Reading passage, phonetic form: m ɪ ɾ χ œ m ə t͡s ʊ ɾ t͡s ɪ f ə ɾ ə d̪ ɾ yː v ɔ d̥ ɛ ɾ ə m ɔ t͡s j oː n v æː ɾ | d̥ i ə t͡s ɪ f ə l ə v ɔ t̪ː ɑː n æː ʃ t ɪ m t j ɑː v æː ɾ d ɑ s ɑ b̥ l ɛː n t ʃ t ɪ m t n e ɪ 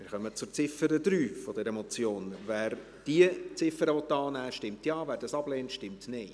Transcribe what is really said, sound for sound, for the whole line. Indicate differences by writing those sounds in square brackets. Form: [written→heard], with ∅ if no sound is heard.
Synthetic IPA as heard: m ɪ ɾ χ œ m ə t͡s ʊ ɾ t͡s ɪ f ə ɾ ə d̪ ɾ yː [v→f] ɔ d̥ ɛ ɾ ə m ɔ t͡s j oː n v æː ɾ | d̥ i ə t͡s ɪ f ə [l→ɾ] ə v ɔ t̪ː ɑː n æː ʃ t ɪ m t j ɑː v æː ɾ d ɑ s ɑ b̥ l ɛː n t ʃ t ɪ m t n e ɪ

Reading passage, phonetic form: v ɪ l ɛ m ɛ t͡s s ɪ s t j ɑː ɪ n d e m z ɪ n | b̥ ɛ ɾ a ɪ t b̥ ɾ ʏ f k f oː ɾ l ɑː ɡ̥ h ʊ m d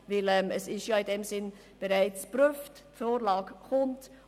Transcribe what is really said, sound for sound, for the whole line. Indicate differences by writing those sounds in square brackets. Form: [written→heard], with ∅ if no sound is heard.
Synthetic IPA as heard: v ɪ l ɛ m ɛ [t͡s→∅] s ɪ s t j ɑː ɪ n d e m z ɪ n | b̥ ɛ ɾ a ɪ [t→t͡s] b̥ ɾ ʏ f [k→t] f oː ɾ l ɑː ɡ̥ h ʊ [m→n] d

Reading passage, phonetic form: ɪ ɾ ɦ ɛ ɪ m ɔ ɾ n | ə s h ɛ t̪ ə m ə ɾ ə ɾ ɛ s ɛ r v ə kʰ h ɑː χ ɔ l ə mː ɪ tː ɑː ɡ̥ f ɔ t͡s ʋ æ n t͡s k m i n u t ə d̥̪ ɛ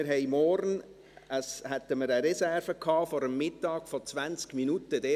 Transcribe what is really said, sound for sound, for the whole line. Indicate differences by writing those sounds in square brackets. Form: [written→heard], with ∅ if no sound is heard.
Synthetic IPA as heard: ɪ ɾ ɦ ɛ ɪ m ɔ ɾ n | ə s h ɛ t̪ ə m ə ɾ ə ɾ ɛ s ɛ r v ə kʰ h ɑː [χ→f] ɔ [l→ɾ] ə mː ɪ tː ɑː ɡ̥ f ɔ t͡s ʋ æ n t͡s k m i n u t ə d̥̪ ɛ

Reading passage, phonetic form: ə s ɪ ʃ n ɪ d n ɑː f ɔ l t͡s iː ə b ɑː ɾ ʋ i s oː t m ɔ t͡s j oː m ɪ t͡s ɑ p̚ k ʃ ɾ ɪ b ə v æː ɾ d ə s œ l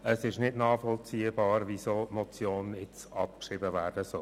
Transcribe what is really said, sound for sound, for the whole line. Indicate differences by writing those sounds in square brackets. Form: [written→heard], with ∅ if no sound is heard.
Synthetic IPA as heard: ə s ɪ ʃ n ɪ d n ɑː f ɔ l t͡s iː ə b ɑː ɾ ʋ i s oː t m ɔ t͡s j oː [m→n] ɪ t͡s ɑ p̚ k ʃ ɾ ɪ b ə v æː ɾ d ə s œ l

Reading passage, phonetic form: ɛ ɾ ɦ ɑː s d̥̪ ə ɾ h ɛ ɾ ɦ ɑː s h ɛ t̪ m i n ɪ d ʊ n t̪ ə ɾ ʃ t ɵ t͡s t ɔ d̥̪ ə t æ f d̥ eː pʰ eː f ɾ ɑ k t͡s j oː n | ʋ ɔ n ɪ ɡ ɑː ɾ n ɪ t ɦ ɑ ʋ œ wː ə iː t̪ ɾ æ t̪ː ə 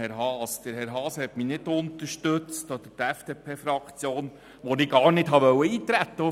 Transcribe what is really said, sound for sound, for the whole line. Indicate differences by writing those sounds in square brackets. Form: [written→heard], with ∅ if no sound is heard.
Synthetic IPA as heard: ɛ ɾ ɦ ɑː s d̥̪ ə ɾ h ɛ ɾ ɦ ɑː s h ɛ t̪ m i n ɪ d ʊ n t̪ ə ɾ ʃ t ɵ t͡s t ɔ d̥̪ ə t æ f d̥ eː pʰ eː f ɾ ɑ k t͡s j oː n | ʋ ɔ n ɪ ɡ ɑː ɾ n ɪ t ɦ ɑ ʋ œ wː ə iː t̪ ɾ æ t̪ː ə

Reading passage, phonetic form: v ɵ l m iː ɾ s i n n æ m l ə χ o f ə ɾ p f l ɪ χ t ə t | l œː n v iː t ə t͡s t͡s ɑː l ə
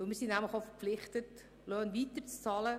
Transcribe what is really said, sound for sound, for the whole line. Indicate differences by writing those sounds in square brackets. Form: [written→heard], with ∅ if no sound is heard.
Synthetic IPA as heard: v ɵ l m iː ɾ s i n n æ m l ə χ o f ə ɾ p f l ɪ χ t ə t | l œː n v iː t ə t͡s t͡s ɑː l ə

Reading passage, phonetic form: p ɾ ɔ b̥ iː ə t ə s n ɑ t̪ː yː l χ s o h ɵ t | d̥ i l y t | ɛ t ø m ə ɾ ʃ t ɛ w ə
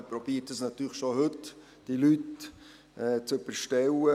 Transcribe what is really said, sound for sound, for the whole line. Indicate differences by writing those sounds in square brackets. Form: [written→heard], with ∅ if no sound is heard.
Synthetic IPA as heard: p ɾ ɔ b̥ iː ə t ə s n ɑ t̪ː yː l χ [s→ʃ] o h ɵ t | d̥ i l y t | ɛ [t→t͡s] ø [m→b] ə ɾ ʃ t ɛ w ə

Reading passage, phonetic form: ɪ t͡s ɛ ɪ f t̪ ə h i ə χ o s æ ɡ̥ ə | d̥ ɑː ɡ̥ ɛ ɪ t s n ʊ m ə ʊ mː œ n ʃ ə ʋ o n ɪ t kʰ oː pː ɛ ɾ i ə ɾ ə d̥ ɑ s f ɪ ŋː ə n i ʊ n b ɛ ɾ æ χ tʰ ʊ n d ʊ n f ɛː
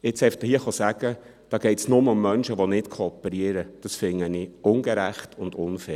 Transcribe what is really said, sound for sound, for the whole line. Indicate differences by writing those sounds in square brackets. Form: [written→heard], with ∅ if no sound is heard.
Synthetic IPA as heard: ɪ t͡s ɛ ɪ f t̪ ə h i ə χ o s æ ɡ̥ ə | d̥ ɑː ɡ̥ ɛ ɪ t s n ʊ m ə ʊ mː œ n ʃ ə ʋ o n ɪ t kʰ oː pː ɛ ɾ i ə ɾ ə d̥ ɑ s f ɪ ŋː ə n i ʊ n [b→ɡ] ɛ ɾ æ χ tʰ ʊ n d ʊ n f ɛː

